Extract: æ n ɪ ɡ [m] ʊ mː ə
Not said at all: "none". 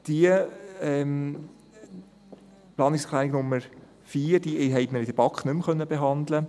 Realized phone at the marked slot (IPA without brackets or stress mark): n